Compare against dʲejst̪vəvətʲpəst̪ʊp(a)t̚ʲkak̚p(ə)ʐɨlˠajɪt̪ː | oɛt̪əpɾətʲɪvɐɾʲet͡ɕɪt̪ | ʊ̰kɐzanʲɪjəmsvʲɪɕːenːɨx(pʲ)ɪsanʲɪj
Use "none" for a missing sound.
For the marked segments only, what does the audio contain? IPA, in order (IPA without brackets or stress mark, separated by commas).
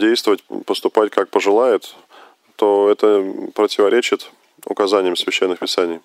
a, ə, pʲ